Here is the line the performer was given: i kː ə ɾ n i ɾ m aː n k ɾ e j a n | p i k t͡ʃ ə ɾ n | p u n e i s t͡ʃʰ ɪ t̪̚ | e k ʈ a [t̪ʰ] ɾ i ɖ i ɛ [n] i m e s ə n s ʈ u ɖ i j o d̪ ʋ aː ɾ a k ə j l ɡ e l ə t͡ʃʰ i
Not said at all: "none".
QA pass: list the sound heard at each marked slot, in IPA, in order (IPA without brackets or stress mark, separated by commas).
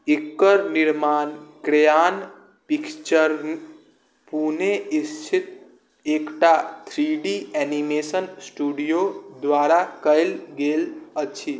t̪ʰ, n